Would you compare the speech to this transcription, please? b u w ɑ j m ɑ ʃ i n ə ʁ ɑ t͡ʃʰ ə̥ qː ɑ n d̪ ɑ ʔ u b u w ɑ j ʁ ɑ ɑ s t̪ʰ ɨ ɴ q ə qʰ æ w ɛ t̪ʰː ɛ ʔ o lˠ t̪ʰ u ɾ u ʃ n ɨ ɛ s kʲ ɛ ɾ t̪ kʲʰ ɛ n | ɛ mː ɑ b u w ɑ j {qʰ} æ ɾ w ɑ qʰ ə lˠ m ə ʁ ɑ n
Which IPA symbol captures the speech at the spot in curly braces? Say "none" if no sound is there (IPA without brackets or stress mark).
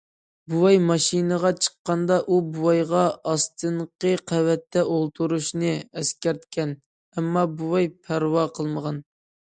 pʰ